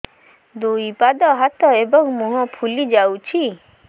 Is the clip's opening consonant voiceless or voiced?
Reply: voiced